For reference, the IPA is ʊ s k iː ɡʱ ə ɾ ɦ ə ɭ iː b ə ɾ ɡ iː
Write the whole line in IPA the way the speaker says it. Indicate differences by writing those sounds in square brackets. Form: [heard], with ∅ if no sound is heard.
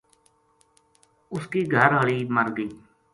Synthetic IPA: ʊ s k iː ɡʱ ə ɾ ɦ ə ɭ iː [m] ə ɾ ɡ iː